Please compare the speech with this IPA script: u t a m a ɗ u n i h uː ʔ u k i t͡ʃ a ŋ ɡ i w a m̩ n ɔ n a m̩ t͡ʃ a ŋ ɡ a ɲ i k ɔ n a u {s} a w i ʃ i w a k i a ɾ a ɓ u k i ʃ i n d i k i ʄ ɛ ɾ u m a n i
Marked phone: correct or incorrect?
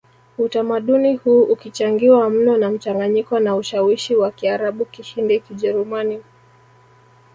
incorrect